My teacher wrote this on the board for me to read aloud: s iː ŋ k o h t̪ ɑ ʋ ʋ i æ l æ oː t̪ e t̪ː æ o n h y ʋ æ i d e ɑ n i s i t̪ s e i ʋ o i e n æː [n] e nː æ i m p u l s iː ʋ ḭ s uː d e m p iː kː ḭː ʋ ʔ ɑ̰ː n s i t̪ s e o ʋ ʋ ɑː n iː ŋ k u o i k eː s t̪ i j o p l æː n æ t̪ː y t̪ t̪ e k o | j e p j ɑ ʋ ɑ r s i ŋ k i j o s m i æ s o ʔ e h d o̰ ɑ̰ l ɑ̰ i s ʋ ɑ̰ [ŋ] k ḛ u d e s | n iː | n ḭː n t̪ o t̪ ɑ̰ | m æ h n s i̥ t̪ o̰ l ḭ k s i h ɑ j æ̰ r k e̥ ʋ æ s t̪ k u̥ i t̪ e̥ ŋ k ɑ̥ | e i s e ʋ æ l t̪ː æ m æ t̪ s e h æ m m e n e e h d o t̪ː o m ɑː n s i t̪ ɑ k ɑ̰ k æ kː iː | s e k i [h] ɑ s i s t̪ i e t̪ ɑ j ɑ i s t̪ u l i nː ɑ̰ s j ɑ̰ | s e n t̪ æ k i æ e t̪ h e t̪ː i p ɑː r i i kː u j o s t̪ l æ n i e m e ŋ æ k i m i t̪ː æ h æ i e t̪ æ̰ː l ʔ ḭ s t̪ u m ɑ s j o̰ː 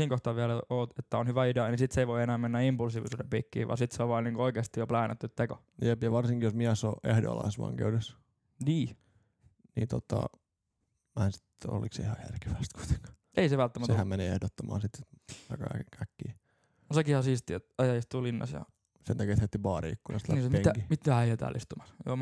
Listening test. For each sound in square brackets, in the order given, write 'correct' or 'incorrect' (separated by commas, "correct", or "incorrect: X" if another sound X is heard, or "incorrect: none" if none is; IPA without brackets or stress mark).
incorrect: m, correct, correct